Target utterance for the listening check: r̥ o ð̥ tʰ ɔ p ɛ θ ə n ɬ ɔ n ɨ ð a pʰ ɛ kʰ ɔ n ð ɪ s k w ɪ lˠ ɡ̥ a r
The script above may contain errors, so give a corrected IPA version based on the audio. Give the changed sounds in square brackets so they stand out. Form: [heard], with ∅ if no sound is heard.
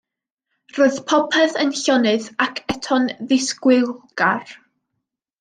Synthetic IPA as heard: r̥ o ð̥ [pʰ] ɔ [pʰ] ɛ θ ə n ɬ ɔ n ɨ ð a [kʰ] ɛ [tʰ] ɔ n ð ɪ s k w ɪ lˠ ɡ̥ a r